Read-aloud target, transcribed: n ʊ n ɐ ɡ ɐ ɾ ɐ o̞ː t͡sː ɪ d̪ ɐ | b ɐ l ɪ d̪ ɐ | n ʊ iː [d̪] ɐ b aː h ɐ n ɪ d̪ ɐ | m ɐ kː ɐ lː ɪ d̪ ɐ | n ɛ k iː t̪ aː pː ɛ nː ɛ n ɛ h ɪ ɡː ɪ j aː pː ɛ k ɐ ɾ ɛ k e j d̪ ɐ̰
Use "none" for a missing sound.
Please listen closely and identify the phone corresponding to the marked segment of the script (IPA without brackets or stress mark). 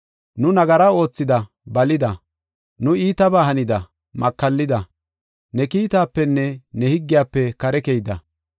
t̪